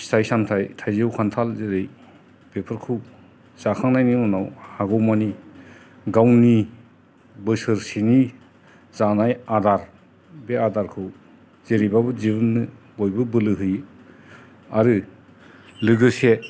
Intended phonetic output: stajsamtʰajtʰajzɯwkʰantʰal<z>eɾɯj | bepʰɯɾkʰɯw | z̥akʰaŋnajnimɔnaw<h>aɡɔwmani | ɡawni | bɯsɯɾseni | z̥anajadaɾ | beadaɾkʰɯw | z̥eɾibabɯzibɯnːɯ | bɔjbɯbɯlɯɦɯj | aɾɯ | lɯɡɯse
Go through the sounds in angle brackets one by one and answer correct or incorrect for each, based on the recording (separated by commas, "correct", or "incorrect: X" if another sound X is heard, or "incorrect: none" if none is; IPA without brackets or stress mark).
correct, correct